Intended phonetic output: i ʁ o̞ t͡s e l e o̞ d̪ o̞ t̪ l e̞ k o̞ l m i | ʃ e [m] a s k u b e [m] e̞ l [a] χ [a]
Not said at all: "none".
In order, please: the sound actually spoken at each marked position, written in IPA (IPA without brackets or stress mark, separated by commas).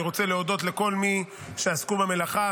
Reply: none, m, a, a